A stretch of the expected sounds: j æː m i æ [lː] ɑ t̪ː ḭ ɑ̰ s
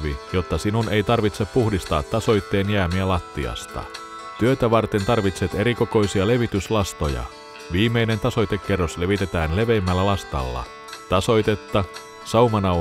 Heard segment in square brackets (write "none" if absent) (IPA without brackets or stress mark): l